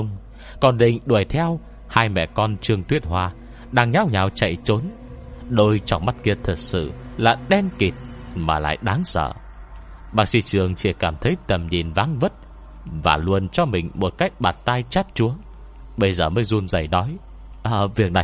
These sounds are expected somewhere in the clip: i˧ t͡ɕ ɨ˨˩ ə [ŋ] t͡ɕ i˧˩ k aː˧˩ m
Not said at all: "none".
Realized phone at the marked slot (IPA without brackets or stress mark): ŋ